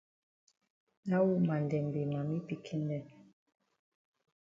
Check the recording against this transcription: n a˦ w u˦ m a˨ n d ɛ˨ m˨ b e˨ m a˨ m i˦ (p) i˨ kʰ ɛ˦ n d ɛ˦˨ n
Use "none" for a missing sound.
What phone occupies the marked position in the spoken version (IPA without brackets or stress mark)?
p